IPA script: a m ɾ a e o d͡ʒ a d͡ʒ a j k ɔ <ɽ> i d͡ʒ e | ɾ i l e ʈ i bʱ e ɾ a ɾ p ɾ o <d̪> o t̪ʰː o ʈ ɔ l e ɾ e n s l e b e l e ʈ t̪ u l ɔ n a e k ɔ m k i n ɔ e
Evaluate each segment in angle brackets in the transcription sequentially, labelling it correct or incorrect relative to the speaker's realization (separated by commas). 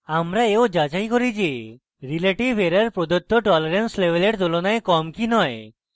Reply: incorrect, correct